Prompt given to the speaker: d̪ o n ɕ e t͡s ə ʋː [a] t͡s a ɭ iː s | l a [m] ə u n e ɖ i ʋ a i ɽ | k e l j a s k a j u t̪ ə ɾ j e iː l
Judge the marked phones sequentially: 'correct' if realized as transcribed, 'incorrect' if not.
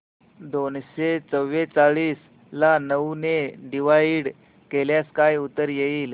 incorrect, incorrect

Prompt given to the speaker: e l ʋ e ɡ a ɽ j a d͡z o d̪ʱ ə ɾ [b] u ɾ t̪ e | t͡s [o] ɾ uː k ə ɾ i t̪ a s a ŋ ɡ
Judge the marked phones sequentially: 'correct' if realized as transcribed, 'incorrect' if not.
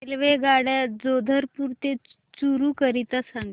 incorrect, incorrect

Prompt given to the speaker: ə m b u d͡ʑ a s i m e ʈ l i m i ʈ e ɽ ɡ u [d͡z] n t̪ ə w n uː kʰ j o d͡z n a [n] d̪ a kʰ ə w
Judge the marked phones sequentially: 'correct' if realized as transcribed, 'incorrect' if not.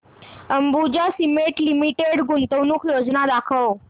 incorrect, incorrect

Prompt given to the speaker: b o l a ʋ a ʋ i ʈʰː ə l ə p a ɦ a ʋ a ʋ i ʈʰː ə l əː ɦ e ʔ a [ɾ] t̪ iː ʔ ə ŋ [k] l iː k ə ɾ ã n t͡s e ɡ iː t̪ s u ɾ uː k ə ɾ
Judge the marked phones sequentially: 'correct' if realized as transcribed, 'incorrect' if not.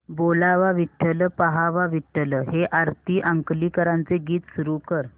correct, correct

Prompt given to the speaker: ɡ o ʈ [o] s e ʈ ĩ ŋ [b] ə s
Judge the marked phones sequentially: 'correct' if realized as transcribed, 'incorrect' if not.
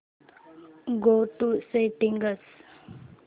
incorrect, incorrect

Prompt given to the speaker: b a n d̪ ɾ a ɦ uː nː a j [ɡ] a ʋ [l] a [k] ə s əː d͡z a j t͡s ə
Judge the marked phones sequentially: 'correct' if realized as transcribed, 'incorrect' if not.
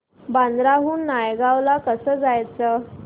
correct, correct, correct

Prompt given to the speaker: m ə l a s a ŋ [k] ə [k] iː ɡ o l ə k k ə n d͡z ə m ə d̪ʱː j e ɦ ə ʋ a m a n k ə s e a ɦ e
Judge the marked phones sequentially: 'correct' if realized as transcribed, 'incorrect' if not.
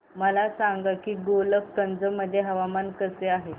incorrect, correct

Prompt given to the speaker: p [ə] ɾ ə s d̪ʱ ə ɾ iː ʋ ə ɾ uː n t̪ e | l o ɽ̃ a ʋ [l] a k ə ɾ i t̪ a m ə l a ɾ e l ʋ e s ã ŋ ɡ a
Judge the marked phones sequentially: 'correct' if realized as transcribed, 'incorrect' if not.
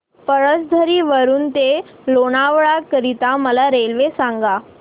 correct, incorrect

